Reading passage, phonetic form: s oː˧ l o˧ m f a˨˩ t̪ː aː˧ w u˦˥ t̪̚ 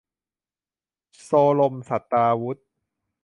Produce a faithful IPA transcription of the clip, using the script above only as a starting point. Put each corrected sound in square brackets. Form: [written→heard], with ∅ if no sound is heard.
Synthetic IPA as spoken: s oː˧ l o˧ m [f→s] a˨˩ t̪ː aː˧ w u˦˥ t̪̚